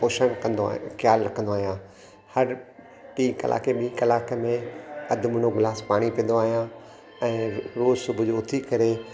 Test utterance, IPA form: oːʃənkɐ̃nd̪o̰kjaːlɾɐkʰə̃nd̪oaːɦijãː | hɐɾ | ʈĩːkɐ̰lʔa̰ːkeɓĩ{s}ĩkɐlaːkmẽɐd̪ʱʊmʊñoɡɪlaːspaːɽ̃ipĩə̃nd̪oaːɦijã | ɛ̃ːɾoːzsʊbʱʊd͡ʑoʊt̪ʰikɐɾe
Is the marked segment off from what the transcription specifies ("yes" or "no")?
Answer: yes